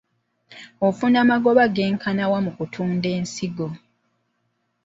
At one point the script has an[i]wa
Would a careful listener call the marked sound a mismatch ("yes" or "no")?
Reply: yes